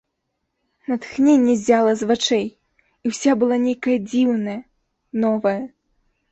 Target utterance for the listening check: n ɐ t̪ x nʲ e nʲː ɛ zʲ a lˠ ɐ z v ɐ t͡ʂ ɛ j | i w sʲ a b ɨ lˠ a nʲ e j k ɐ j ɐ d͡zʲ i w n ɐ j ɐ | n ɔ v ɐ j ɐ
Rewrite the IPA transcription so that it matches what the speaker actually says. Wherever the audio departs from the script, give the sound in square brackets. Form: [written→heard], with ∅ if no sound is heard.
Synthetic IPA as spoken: n ɐ t̪ x nʲ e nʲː ɛ zʲ a lˠ ɐ z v [ɐ→a] t͡ʂ ɛ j | i w sʲ a b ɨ lˠ a nʲ e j k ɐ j ɐ d͡zʲ i w n ɐ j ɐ | n ɔ v ɐ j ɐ

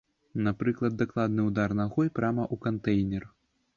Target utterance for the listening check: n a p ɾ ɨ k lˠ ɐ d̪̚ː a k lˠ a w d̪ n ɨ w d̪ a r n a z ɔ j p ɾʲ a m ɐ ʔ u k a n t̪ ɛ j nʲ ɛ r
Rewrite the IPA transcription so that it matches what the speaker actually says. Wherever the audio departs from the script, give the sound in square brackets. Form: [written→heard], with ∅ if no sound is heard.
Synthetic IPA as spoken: n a p ɾ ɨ k lˠ ɐ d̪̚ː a k lˠ a [w→∅] d̪ n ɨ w d̪ a r n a [z→ɣ] ɔ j p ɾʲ a m ɐ ʔ u k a n t̪ ɛ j nʲ ɛ r

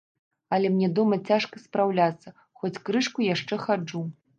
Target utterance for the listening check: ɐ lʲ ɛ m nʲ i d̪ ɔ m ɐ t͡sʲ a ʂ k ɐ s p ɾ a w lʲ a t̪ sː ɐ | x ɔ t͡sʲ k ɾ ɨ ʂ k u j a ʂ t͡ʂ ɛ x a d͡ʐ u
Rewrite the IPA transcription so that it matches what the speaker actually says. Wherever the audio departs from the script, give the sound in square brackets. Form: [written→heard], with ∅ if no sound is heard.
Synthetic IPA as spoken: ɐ lʲ ɛ m nʲ [i→ɛ] d̪ ɔ m ɐ t͡sʲ a ʂ k ɐ s p ɾ a w lʲ a t̪ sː ɐ | x ɔ t͡sʲ k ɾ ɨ ʂ k u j a ʂ t͡ʂ ɛ x a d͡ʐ u

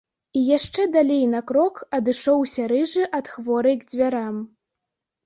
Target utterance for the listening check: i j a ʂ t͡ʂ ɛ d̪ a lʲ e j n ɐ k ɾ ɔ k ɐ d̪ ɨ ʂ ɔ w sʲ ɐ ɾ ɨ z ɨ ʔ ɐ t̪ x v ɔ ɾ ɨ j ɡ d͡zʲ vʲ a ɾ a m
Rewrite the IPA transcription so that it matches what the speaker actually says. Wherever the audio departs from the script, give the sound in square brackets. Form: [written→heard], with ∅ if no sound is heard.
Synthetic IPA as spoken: i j a ʂ t͡ʂ ɛ d̪ a lʲ e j n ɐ k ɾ ɔ k ɐ d̪ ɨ ʂ ɔ w sʲ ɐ ɾ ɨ [z→ʐ] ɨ ʔ ɐ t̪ x v ɔ ɾ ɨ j ɡ d͡zʲ vʲ a ɾ a m

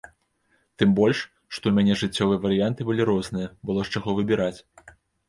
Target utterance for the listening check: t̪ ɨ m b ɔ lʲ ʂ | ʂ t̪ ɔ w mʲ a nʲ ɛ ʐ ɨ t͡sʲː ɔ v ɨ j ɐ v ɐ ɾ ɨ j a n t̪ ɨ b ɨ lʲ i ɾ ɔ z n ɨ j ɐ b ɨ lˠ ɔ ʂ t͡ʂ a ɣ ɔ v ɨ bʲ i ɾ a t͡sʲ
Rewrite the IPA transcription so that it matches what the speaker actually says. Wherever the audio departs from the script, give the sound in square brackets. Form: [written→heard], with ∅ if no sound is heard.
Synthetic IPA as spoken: t̪ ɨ m b ɔ lʲ ʂ | ʂ t̪ ɔ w mʲ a nʲ ɛ ʐ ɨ t͡sʲː ɔ v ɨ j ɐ v ɐ ɾ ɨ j a n t̪ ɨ b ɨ lʲ i ɾ ɔ z n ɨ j ɐ b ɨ lˠ ɔ ʂ t͡ʂ a ɣ ɔ v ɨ bʲ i ɾ a t͡sʲ

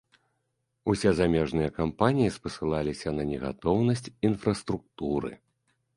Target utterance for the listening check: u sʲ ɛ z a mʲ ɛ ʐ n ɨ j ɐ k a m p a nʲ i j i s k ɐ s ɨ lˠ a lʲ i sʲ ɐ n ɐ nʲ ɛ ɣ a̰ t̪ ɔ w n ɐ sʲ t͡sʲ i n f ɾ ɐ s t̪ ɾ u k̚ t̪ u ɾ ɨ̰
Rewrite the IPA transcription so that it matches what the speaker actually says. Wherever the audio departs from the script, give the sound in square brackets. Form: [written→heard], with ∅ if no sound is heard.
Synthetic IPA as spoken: u sʲ ɛ z a mʲ ɛ ʐ n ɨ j ɐ k a m p a nʲ i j i s [k→p] ɐ s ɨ lˠ a lʲ i sʲ ɐ n ɐ nʲ ɛ ɣ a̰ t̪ ɔ w n ɐ sʲ t͡sʲ i n f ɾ ɐ s t̪ ɾ u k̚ t̪ u ɾ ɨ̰

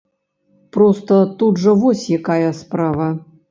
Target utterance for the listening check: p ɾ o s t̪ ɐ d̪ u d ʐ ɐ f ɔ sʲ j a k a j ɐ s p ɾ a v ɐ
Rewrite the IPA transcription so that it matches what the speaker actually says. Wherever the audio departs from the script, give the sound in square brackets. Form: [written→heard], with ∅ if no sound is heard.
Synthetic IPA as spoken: p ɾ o s t̪ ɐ [d̪→t̪] u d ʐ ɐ [f→v] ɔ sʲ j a k a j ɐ s p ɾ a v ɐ

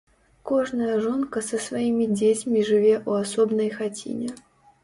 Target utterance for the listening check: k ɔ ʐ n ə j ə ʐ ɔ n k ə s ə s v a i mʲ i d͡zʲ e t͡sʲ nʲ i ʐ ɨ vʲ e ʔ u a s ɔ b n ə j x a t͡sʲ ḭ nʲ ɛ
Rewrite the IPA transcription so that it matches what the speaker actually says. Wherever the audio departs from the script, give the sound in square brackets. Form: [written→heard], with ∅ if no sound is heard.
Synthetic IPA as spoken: k ɔ ʐ n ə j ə ʐ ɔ n k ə s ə s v a i mʲ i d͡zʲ e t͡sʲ [nʲ→mʲ] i ʐ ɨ vʲ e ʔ u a s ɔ b n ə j x a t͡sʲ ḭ nʲ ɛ

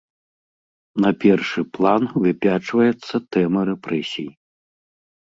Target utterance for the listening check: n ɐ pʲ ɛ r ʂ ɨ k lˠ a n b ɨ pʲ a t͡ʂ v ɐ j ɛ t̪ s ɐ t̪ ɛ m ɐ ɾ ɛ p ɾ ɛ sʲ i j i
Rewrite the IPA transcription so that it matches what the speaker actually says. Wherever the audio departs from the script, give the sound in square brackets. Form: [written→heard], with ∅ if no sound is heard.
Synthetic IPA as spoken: n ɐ pʲ ɛ r ʂ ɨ [k→p] lˠ a n [b→v] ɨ pʲ a t͡ʂ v ɐ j ɛ t̪ [s→sː] ɐ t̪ ɛ m ɐ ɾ ɛ p ɾ ɛ sʲ i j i

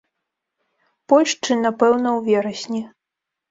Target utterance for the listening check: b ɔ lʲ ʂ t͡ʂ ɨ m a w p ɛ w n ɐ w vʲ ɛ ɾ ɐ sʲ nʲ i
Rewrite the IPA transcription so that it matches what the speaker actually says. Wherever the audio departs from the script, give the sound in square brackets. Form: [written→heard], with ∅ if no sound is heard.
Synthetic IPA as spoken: [b→p] ɔ lʲ ʂ t͡ʂ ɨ [m→n] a [w→∅] p ɛ w n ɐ w vʲ ɛ ɾ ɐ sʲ nʲ i

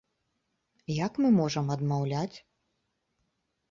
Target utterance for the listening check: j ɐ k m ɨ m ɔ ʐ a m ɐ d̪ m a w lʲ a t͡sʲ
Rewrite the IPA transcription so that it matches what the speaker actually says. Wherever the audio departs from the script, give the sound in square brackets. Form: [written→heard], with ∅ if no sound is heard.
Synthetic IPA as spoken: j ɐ k m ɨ m ɔ ʐ [a→ɐ] m ɐ d̪ m a w lʲ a t͡sʲ

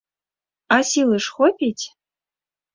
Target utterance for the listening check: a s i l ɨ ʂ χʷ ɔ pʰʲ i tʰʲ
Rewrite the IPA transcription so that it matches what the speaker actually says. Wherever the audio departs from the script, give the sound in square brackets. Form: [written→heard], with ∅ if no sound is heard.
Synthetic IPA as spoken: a s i l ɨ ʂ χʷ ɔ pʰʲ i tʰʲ

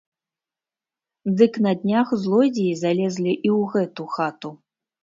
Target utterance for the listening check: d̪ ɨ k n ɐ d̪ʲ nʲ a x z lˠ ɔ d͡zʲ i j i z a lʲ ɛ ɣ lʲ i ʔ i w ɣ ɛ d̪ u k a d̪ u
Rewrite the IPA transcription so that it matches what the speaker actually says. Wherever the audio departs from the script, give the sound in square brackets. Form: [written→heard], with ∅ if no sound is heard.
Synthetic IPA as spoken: d̪ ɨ k n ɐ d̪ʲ nʲ a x z lˠ ɔ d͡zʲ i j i z a lʲ ɛ [ɣ→z] lʲ i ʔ i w ɣ ɛ [d̪→t̪] u [k→x] a [d̪→t̪] u

